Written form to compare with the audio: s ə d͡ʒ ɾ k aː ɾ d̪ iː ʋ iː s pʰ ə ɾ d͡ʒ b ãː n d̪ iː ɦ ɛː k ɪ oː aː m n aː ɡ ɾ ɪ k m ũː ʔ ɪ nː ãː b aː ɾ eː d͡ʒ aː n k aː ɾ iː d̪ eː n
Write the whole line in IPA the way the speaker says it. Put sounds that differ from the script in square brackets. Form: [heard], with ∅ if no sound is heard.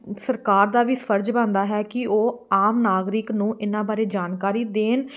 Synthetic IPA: s ə [∅] ɾ k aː ɾ d̪ [aː] ʋ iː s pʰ ə ɾ d͡ʒ b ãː n d̪ [aː] ɦ ɛː k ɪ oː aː m n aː ɡ ɾ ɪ k [n] ũː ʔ ɪ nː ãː b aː ɾ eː d͡ʒ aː n k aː ɾ iː d̪ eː n

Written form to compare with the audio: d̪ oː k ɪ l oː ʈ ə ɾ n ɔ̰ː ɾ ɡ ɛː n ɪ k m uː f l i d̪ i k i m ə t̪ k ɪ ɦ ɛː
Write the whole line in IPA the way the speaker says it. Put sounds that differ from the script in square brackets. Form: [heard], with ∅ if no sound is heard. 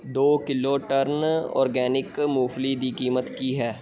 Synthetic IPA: d̪ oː k ɪ l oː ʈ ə ɾ n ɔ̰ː ɾ ɡ ɛː n ɪ k m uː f l i d̪ i k [iː] m ə t̪ k [i] ɦ ɛː

